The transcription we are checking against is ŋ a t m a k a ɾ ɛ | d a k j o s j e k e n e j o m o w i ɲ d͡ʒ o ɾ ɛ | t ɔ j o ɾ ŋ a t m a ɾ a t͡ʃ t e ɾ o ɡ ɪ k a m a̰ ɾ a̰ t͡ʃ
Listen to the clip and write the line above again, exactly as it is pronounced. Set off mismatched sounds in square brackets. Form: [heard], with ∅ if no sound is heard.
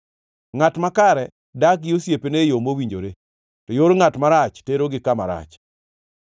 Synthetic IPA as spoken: ŋ a t m a k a ɾ ɛ | d a k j o s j e [p] e n e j o m o w i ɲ d͡ʒ o ɾ [e] | t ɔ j o ɾ ŋ a t m a ɾ a t͡ʃ t e ɾ o ɡ ɪ k a m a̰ ɾ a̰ t͡ʃ

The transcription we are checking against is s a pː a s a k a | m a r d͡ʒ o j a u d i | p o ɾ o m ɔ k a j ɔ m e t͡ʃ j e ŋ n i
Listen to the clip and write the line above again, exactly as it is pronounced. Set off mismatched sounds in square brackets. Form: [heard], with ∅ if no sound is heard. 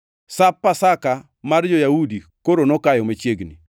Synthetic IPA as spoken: s a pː a s a k a | m a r d͡ʒ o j a u d i | [k] o ɾ o [n] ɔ k a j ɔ m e t͡ʃ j e [ɡ] n i

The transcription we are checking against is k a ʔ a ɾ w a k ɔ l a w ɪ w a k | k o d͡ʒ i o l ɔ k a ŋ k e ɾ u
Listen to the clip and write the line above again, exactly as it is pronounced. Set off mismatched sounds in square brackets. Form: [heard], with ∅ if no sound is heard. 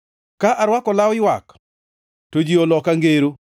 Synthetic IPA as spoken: k a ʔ a ɾ w a k ɔ l a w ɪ w a k | [t] o d͡ʒ i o l ɔ k a ŋ [ɡ] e ɾ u

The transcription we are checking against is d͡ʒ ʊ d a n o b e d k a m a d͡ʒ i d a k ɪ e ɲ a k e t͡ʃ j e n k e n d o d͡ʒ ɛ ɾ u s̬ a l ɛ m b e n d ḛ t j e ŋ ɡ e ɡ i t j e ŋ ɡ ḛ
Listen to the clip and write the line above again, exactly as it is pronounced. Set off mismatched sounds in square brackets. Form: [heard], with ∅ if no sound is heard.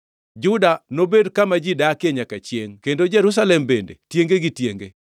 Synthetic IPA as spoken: d͡ʒ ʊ d a n o b e d k a m a d͡ʒ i d a k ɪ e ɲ a k [a] t͡ʃ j e [ŋ] k e n d o d͡ʒ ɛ ɾ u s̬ a l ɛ m b e n d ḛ t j e ŋ ɡ e ɡ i t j e ŋ ɡ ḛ

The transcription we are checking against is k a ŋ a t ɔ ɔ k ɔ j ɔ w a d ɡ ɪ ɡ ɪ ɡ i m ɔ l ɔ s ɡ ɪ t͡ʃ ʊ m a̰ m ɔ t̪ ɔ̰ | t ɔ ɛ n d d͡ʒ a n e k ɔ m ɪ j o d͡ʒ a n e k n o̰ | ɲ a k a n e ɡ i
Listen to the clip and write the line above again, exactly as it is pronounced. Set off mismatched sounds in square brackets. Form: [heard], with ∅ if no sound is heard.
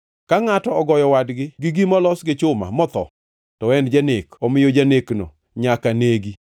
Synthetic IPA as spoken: k a ŋ a t ɔ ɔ [ɡ] ɔ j ɔ w a d ɡ ɪ ɡ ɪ ɡ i m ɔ l ɔ s ɡ ɪ t͡ʃ ʊ m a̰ m ɔ t̪ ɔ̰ | t ɔ ɛ n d d͡ʒ a n e k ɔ m ɪ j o d͡ʒ a n e k n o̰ | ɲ a k a n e ɡ i

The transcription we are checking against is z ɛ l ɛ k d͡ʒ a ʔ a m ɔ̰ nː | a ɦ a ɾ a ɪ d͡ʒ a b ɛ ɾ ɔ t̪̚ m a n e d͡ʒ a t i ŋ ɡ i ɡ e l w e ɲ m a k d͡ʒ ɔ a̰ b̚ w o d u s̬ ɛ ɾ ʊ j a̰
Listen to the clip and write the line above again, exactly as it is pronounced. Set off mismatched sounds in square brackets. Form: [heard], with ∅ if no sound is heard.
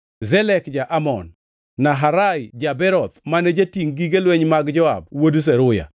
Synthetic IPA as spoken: z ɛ l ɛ k d͡ʒ a ʔ a m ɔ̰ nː | a ɦ a ɾ a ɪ d͡ʒ a b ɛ ɾ ɔ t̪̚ m a n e d͡ʒ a t i ŋ ɡ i ɡ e l w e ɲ m a [ɡ] d͡ʒ ɔ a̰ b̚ w o d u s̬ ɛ ɾ ʊ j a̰

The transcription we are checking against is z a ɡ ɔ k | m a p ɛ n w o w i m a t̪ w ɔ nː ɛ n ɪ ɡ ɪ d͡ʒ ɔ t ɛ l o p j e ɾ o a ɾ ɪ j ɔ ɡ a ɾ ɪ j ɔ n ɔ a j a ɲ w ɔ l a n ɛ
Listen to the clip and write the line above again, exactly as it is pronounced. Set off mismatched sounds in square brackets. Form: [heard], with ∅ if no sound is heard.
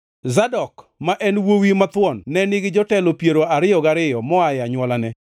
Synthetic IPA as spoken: z a [d] ɔ k | m a [ʔ] ɛ n w o w i m a t̪ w ɔ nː ɛ n ɪ ɡ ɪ d͡ʒ ɔ t ɛ l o p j e ɾ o a ɾ ɪ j ɔ ɡ a ɾ ɪ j ɔ [m] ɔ a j a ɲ w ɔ l a n ɛ

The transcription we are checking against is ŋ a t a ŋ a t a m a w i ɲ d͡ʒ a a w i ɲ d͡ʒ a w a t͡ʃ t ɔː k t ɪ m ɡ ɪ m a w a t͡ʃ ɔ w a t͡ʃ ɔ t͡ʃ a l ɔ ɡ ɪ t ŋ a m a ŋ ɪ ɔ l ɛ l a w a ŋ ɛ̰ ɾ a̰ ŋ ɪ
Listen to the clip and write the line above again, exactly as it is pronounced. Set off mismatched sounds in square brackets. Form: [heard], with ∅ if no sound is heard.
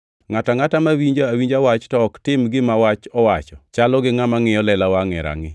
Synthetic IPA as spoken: ŋ a t a ŋ a t a m a w i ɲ d͡ʒ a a w i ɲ d͡ʒ a w a t͡ʃ t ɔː k t ɪ m ɡ ɪ m a w a t͡ʃ ɔ w a t͡ʃ ɔ t͡ʃ a l ɔ ɡ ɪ [∅] ŋ a m a ŋ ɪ ɔ l ɛ l a w a ŋ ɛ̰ ɾ a̰ ŋ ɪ

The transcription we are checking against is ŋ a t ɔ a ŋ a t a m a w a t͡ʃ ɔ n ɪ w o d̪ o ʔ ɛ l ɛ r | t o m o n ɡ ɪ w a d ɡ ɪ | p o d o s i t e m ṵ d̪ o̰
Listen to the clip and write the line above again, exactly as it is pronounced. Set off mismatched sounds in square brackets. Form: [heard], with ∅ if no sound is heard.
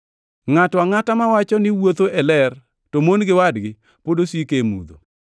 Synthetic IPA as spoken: ŋ a t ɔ a ŋ a t a m a w a t͡ʃ ɔ n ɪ w o [t̪] o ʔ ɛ l ɛ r | t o m o n ɡ ɪ w a d ɡ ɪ | p o d o s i [k] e m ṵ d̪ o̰

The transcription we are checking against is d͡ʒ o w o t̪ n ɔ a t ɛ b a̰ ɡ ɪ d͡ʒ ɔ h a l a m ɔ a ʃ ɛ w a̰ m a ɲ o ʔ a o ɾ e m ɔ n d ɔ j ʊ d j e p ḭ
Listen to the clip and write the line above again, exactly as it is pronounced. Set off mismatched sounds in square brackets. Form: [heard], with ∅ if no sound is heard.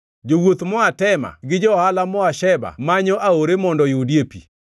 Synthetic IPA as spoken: d͡ʒ o w o t̪ [m] ɔ a t ɛ [m] a̰ ɡ ɪ d͡ʒ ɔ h a l a m ɔ a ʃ ɛ [b] a̰ m a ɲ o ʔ a o ɾ e m ɔ n d ɔ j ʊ d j e p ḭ

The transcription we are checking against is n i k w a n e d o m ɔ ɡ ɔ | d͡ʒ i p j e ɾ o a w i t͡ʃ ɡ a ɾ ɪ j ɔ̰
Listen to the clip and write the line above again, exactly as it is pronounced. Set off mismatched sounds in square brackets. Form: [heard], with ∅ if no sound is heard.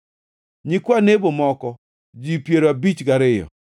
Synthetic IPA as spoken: [ɲ] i k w a n e [b] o m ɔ [k] ɔ | d͡ʒ i p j e ɾ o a [b] i t͡ʃ ɡ a ɾ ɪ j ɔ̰

